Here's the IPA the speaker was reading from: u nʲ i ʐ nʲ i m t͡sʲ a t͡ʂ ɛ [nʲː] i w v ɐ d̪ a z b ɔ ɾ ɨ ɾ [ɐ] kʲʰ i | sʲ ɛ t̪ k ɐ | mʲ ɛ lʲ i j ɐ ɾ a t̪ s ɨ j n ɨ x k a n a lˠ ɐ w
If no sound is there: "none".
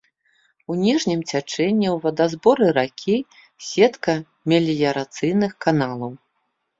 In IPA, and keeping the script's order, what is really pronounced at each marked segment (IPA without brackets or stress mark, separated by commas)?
nʲː, a